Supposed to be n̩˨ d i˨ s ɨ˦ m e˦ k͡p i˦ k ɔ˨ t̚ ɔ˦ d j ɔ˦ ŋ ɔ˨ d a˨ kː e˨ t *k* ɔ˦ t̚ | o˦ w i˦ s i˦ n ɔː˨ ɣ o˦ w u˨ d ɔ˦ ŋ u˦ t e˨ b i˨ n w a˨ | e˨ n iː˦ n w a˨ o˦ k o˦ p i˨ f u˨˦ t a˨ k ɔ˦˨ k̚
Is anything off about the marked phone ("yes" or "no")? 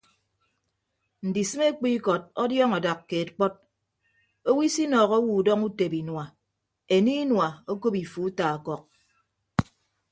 yes